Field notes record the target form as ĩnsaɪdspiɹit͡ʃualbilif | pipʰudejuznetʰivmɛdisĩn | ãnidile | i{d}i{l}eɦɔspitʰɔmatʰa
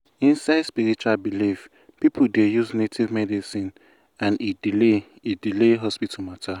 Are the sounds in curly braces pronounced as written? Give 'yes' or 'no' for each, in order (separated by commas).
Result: yes, yes